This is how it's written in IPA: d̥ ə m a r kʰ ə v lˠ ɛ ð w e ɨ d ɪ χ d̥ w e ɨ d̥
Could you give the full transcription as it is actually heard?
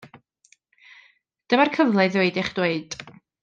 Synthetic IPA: d̥ ə m a r kʰ ə v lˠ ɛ ð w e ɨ d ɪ χ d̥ w e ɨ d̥

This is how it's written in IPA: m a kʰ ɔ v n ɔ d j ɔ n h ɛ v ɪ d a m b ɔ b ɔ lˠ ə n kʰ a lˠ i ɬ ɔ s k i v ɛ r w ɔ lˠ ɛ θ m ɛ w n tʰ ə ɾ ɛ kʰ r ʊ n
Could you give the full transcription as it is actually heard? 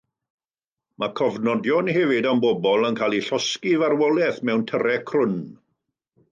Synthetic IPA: m a kʰ ɔ v n ɔ d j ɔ n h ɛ v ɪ d a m b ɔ b ɔ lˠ ə n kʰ a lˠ i ɬ ɔ s k i v a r w ɔ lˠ ɛ θ m ɛ w n tʰ ə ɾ ɛ kʰ r ʊ n

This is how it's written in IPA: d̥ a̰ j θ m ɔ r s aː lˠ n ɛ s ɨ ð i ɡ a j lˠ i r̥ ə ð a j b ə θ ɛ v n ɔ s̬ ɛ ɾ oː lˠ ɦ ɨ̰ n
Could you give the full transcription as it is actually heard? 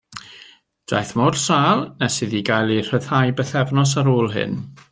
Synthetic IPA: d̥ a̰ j θ m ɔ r s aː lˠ n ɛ s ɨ ð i ɡ a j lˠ i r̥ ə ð a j b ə θ ɛ v n ɔ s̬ a ɾ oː lˠ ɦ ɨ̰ n

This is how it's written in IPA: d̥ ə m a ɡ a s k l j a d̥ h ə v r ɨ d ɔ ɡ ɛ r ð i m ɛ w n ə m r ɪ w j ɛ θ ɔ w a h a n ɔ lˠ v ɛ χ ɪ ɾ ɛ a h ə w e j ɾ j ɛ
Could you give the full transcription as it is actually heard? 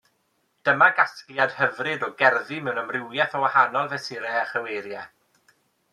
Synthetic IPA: d̥ ə m a ɡ a s k l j a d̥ h ə v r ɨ d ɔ ɡ ɛ r ð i m ɛ w n ə m r ɪ w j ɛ θ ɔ w a h a n ɔ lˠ v ɛ s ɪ ɾ ɛ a χ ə w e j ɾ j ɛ

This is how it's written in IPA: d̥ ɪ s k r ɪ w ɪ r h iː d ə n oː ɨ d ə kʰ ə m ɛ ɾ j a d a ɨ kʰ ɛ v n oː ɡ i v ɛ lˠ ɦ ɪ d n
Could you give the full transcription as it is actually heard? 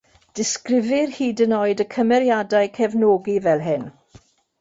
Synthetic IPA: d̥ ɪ s k r ɪ v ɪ r h iː d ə n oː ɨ d ə kʰ ə m ɛ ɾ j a d a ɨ kʰ ɛ v n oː ɡ i v ɛ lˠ ɦ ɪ n

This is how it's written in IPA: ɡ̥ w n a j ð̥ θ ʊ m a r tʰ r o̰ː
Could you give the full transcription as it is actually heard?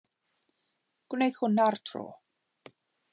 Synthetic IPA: ɡ̥ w n e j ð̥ h ʊ n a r tʰ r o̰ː

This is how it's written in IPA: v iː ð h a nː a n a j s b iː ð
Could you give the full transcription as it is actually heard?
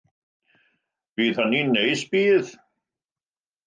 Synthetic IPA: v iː ð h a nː i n e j s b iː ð

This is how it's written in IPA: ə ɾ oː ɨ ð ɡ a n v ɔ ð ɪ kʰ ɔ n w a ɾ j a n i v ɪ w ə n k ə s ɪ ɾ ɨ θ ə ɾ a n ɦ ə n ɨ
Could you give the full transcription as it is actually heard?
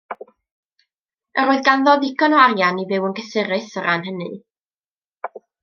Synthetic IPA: ə ɾ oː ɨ ð ɡ a n ð ɔ ð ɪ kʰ ɔ n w a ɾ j a n i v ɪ w ə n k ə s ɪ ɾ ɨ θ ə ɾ a n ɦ ə n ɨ

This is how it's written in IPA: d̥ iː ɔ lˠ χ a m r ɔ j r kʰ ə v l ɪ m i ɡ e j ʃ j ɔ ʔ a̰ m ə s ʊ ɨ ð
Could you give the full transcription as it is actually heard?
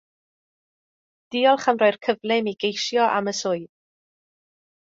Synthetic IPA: d̥ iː ɔ lˠ χ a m r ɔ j r kʰ ə v l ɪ m i ɡ e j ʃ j ɔ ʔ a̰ m ə s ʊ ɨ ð

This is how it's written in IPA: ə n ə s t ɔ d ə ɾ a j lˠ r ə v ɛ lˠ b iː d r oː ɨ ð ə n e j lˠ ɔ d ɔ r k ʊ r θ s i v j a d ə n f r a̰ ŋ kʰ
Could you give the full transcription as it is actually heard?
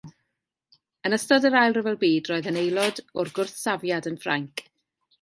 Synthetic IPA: ə n ə s t ɔ d ə ɾ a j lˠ r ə v ɛ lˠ b iː d r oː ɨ ð ə n e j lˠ ɔ d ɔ r ɡ ʊ r θ s a v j a d ə n f r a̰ ŋ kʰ

